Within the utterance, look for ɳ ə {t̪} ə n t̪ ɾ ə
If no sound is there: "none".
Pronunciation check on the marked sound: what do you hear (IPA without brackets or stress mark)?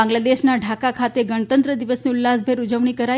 t̪